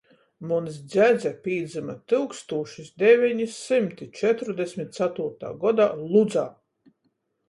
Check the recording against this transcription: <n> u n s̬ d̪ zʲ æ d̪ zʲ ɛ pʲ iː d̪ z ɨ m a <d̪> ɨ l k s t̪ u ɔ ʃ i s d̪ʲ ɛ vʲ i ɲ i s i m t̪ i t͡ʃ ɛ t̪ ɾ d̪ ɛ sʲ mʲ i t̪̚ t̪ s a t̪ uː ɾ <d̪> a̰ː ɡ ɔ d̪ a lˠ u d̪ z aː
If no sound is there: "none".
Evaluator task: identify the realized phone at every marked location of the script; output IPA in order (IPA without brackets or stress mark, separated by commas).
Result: m, t̪, t̪